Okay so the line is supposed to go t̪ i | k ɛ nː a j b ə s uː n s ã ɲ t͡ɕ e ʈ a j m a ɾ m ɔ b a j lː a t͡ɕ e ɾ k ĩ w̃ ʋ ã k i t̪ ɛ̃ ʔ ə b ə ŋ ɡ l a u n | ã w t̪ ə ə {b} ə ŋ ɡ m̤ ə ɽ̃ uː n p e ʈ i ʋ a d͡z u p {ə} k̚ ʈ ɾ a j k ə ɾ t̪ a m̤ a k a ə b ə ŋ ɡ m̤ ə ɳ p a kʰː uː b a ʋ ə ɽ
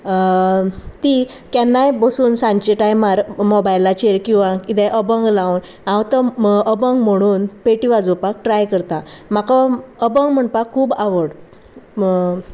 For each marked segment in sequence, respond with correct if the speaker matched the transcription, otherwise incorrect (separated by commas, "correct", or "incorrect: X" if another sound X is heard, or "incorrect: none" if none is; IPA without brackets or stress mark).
correct, incorrect: a